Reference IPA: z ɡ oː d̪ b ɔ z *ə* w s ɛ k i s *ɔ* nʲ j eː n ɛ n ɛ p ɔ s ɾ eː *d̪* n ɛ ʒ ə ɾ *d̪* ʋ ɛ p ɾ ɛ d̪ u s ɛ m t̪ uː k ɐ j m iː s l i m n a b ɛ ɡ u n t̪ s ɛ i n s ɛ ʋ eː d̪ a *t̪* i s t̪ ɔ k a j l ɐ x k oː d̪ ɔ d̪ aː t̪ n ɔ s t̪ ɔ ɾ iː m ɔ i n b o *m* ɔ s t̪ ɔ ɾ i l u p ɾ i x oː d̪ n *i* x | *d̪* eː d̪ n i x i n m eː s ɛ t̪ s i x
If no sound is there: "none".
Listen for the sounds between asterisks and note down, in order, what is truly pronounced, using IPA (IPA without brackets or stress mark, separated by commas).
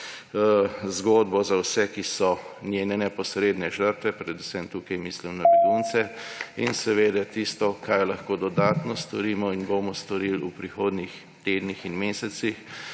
a, ɔ, d̪, t̪, t̪, m, i, t̪